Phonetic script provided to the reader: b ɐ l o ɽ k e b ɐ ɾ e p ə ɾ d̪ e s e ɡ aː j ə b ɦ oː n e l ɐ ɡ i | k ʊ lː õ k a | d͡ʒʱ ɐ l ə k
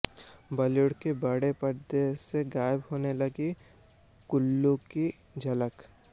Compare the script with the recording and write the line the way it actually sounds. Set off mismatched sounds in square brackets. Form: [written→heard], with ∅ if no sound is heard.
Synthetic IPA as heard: b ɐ l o ɽ k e b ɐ [ɾ→ɽ] e p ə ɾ d̪ e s e ɡ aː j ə b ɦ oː n e l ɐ ɡ i | k ʊ lː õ k [a→i] | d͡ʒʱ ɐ l ə k